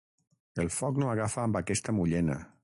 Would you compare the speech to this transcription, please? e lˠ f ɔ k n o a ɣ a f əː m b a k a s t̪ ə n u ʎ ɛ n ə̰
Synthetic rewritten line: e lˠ f ɔ k n o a ɣ a f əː m b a k ɛ s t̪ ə m u ʎ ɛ n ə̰